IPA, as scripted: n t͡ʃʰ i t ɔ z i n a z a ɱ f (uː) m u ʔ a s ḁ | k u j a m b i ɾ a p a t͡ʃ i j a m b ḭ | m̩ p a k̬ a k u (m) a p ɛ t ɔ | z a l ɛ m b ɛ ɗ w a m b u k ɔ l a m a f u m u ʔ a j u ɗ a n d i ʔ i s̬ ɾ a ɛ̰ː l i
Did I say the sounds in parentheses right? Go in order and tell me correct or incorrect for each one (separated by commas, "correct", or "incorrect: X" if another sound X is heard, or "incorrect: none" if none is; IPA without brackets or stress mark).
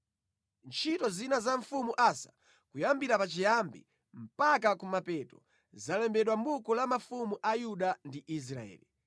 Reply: incorrect: u, correct